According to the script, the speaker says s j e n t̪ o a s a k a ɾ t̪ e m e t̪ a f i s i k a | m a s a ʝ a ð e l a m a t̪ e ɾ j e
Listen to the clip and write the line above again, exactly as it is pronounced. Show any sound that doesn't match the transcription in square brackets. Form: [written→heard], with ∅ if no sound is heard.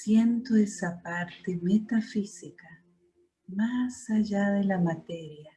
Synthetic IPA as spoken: s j e n t̪ o [a→e] s a [k→p] a ɾ t̪ e m e t̪ a f i s i k a | m a s a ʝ a ð e l a m a t̪ e ɾ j [e→a]